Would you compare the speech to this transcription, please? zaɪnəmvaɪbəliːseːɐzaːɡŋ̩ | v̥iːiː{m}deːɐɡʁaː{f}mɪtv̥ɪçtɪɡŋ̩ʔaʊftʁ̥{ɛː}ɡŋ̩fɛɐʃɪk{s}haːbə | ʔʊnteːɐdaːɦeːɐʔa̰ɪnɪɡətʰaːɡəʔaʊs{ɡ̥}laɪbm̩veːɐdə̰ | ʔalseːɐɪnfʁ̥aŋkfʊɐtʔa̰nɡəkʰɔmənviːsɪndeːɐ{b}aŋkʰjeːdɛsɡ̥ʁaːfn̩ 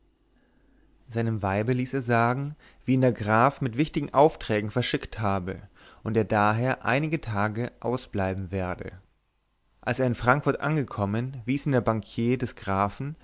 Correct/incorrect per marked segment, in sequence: incorrect: n, correct, correct, incorrect: t, incorrect: b̥, correct

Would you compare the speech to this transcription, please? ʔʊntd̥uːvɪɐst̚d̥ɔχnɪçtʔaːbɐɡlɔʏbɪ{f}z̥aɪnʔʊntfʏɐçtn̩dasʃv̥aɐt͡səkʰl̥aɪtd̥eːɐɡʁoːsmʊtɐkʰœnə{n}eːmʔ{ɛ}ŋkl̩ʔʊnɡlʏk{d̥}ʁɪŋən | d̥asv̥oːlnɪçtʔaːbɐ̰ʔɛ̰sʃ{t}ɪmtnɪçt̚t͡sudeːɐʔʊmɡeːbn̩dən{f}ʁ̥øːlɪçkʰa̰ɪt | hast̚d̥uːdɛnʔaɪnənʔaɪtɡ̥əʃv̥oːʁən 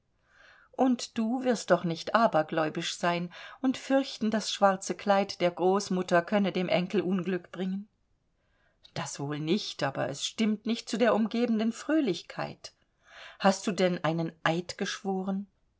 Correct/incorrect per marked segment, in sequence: incorrect: ʃ, incorrect: d, correct, incorrect: b̥, correct, correct

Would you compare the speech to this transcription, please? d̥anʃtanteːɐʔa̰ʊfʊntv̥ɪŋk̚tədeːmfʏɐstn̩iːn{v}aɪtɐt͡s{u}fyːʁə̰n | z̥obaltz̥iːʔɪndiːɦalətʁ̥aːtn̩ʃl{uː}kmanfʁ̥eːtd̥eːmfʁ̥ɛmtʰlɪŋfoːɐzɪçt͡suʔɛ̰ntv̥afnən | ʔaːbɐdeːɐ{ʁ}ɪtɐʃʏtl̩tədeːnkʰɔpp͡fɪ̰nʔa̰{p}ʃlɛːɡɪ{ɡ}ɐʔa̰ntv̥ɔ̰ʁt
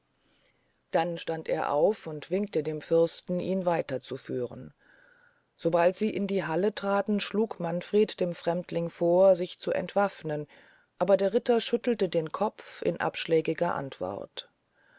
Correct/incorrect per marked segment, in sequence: correct, correct, correct, correct, correct, correct

